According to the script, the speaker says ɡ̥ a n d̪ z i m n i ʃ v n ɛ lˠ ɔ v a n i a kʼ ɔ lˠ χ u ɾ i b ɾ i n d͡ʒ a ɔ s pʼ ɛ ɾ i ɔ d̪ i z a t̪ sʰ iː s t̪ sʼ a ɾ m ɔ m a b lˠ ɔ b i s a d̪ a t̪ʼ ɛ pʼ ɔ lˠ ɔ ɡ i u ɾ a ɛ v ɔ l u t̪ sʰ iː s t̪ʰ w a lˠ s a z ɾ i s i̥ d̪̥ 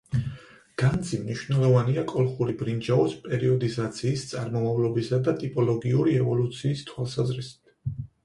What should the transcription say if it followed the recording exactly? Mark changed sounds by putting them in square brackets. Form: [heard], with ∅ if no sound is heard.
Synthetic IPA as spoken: ɡ̥ a n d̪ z i m n i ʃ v n ɛ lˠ ɔ v a n i a kʼ ɔ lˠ χ u ɾ i b ɾ i n d͡ʒ a ɔ s pʼ ɛ ɾ i ɔ d̪ i z a t̪ sʰ iː s t̪ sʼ a ɾ m ɔ m a [v] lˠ ɔ b i s a d̪ a t̪ʼ [i] pʼ ɔ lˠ ɔ ɡ i u ɾ [i] ɛ v ɔ l u t̪ sʰ iː s t̪ʰ w a lˠ s a z ɾ i s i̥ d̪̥